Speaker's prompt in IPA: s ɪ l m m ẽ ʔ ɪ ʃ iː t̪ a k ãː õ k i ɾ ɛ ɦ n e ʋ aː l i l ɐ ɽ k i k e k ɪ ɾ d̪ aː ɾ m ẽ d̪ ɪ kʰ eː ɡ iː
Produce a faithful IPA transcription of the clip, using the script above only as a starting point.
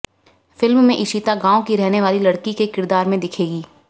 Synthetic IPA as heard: f ɪ l m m ẽ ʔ ɪ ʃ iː t̪ a ɡ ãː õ k i ɾ ɛ ɦ n e ʋ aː l i l ɐ ɽ k i k e k ɪ ɾ d̪ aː ɾ m ẽ d̪ ɪ kʰ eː ɡ iː